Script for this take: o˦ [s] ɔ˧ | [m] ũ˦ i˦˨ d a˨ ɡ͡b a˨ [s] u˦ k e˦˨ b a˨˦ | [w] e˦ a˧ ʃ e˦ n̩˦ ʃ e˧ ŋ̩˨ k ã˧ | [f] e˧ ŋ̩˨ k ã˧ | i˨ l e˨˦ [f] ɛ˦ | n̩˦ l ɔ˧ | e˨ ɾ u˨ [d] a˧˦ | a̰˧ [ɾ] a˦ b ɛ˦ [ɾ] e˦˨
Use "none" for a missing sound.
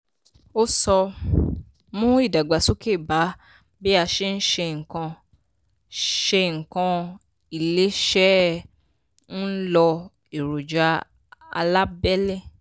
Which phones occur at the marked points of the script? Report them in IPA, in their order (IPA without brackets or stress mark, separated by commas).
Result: s, m, s, b, ʃ, ʃ, d͡ʒ, l, l